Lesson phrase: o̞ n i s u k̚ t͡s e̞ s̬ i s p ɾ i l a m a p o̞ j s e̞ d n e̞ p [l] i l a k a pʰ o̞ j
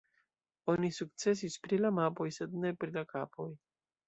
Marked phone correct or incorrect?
incorrect